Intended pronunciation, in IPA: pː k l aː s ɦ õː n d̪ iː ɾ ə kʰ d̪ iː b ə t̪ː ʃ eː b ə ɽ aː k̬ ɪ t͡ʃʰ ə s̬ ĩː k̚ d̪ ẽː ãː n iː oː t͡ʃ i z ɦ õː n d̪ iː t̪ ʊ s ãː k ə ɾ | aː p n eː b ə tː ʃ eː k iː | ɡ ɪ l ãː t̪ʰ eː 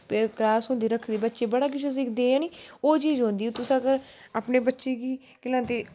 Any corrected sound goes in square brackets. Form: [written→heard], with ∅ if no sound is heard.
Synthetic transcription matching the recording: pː k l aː s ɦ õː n d̪ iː ɾ ə kʰ d̪ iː b ə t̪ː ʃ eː b ə ɽ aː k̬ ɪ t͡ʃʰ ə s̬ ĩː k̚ d̪ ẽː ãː n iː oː t͡ʃ [i→iː] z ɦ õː n d̪ iː t̪ ʊ s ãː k ə ɾ | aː p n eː b ə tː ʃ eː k iː | [ɡ→k] ɪ l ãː [t̪ʰ→t̪] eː